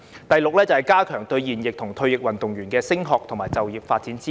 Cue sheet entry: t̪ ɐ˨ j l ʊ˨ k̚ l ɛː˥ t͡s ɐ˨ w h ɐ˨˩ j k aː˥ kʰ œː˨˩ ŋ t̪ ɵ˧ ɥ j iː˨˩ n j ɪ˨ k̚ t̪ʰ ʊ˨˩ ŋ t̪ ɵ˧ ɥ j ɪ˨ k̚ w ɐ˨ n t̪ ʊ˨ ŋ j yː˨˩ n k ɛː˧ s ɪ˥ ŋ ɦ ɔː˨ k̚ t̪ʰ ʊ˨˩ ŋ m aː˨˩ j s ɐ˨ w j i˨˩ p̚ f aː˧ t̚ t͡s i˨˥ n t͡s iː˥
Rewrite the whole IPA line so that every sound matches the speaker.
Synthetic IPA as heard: t̪ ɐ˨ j l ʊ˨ k̚ l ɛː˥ t͡s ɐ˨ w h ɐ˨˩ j k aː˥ kʰ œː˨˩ ŋ t̪ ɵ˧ ɥ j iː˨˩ n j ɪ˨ k̚ t̪ʰ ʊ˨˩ ŋ t̪ʰ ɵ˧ ɥ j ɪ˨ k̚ w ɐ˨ n t̪ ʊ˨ ŋ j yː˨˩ n k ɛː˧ s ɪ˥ ŋ ɦ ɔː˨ k̚ t̪ʰ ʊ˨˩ ŋ m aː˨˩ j t͡s ɐ˨ w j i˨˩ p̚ f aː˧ t̚ t͡s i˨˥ n t͡s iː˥